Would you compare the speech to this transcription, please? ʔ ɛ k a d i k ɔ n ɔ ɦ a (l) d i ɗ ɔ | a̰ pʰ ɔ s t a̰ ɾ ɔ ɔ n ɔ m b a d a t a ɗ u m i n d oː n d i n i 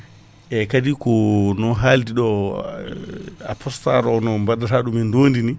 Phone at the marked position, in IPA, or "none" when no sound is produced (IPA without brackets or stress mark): l